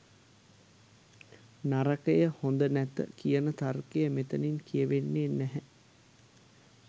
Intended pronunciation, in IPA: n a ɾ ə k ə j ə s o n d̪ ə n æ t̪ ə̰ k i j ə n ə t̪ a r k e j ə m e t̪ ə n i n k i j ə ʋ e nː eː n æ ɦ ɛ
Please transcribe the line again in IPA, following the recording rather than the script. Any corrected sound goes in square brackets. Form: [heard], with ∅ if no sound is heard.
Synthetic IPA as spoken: n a ɾ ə k ə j ə [h] o n d̪ ə n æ t̪ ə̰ k i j ə n ə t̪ a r k e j ə m e t̪ ə n i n k i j ə ʋ e nː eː n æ ɦ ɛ